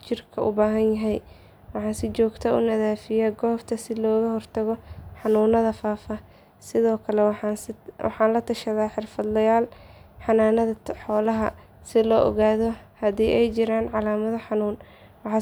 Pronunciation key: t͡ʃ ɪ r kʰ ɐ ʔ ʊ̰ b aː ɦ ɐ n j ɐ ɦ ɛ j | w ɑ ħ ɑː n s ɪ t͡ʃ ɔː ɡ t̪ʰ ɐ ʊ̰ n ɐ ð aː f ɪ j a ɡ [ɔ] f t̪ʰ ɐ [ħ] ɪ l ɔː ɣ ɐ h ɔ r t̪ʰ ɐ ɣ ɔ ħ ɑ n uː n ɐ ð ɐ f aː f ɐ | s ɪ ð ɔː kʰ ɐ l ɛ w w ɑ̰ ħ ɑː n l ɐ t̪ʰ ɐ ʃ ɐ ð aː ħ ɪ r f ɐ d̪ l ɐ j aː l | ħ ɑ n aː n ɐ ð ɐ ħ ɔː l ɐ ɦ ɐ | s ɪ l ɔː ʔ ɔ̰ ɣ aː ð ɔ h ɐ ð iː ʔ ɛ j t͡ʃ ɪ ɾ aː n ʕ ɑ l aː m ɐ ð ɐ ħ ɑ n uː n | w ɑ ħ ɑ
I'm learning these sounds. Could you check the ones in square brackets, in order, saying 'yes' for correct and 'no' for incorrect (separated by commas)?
no, no